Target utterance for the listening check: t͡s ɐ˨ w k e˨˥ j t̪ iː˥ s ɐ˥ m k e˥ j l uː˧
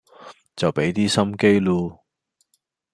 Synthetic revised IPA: t͡s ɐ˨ w p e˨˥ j t̪ iː˥ s ɐ˥ m k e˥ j l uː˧